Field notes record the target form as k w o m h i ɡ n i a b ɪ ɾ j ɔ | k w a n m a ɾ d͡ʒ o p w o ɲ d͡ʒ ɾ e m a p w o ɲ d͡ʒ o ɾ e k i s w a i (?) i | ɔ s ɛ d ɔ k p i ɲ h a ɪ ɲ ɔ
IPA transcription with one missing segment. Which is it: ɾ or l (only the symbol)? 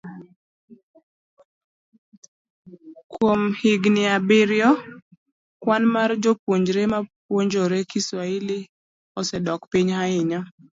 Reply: l